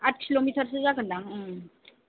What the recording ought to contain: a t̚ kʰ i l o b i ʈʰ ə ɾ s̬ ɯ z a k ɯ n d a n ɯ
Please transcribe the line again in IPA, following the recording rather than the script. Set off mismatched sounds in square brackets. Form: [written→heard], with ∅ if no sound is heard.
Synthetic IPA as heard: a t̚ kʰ i l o [b→m] i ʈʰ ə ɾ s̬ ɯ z a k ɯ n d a [n→ŋ] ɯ